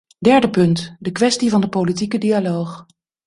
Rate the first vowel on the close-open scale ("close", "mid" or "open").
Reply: mid